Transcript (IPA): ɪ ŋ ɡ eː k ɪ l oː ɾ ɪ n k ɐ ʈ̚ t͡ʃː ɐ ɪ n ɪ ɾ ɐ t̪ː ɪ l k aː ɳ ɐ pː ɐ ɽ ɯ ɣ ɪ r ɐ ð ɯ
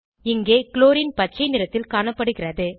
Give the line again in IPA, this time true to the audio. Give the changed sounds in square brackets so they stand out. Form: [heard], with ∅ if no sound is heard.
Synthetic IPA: ɪ ŋ ɡ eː k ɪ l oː ɾ ɪ n [p] ɐ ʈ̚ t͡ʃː ɐ ɪ n ɪ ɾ ɐ t̪ː ɪ l k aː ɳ ɐ pː ɐ ɽ ɯ ɣ ɪ r ɐ ð ɯ